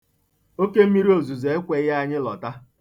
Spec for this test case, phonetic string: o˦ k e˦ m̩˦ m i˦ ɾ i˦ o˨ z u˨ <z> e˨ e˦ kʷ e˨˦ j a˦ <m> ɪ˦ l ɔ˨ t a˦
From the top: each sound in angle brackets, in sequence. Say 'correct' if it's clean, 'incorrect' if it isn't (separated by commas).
correct, incorrect